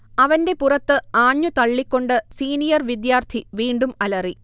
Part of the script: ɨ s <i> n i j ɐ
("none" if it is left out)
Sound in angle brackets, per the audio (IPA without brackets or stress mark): iː